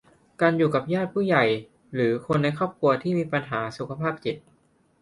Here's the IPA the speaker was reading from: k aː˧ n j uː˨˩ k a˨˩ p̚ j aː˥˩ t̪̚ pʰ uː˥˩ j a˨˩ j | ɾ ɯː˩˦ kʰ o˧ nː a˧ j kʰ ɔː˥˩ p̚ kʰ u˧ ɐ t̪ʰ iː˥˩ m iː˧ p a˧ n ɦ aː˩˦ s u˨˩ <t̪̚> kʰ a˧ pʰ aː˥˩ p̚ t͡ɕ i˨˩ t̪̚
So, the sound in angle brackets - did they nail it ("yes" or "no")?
no